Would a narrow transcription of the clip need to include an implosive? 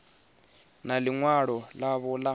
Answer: no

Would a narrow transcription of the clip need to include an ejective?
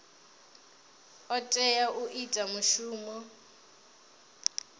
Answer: yes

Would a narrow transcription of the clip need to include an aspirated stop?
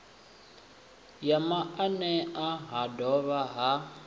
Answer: no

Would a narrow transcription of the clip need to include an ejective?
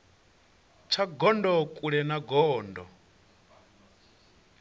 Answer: yes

